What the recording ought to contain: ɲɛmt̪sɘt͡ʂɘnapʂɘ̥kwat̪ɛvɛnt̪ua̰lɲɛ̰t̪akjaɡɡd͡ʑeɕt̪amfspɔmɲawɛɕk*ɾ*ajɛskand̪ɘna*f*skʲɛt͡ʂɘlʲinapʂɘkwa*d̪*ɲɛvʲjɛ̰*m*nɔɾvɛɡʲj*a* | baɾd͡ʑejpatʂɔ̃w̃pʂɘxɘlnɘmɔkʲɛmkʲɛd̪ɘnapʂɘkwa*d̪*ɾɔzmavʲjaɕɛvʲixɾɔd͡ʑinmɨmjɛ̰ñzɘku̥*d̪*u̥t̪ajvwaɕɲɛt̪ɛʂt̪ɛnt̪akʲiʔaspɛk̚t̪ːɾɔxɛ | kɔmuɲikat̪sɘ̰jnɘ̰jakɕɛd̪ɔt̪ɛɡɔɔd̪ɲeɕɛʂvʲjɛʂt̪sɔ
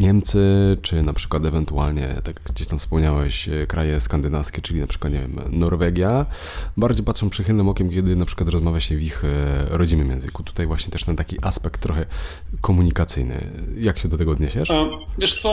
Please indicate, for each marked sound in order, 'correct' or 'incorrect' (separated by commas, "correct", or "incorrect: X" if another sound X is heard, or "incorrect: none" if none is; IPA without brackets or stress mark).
correct, correct, incorrect: t̪, correct, correct, incorrect: t̪, incorrect: t̪